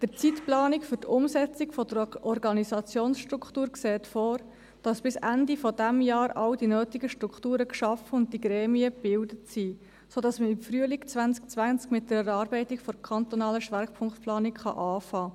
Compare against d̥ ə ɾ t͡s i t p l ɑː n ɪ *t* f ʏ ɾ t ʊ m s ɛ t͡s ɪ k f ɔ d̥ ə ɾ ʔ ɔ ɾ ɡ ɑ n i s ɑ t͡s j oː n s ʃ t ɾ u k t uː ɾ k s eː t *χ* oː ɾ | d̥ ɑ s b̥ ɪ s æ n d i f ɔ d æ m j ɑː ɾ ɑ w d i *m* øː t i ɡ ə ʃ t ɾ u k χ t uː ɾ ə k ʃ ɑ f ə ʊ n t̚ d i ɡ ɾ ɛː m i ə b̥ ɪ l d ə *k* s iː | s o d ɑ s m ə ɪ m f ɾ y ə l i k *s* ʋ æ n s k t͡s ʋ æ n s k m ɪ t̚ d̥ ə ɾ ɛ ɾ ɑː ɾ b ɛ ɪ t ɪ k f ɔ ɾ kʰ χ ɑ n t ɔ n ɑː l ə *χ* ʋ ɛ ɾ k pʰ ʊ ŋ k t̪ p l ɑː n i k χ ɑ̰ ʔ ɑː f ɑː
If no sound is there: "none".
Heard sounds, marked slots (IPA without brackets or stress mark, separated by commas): k, f, n, t, t͡s, ʃ